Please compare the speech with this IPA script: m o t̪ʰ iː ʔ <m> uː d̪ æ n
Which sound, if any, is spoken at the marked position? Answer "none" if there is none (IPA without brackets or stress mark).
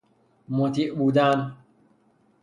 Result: b